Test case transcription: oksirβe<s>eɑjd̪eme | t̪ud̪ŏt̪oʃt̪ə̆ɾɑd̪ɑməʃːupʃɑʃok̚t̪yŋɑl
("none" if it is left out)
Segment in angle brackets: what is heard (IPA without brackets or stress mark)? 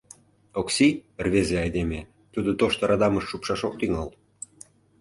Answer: z